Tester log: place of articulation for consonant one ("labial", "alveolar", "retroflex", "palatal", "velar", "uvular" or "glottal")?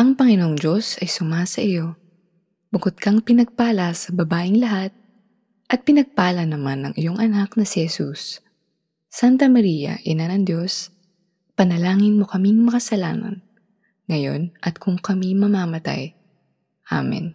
glottal